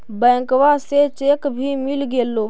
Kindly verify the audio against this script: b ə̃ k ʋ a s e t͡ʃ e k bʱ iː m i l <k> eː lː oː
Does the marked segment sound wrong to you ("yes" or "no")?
yes